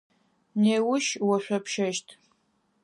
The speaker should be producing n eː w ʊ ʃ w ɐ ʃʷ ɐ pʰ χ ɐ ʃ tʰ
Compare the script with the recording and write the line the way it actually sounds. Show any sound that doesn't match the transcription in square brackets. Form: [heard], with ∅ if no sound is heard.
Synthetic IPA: n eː w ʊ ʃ w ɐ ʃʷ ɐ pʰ [ʃ] ɐ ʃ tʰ